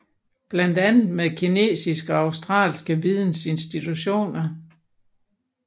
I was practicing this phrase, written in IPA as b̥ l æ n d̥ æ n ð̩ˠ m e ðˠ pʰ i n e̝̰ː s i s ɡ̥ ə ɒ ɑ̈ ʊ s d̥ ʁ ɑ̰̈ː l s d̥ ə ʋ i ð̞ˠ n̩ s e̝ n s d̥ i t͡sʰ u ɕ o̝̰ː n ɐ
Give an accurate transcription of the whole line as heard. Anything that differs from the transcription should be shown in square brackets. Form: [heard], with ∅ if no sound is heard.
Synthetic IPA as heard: b̥ l æ n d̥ æ n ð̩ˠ m e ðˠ [kʰ] i n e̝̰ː s i s ɡ̥ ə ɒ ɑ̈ ʊ s d̥ ʁ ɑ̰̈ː l s [ɡ̥] ə ʋ i ð̞ˠ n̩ s e̝ n s d̥ i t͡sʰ u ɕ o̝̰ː n ɐ